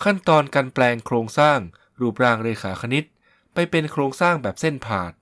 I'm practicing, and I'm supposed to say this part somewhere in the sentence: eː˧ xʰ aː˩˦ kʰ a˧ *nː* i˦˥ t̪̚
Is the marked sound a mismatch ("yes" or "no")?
yes